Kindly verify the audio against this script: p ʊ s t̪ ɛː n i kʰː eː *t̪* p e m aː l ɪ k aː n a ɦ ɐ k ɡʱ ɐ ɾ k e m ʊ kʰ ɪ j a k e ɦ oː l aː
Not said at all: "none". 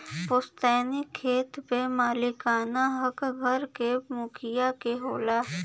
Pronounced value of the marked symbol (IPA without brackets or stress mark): t̪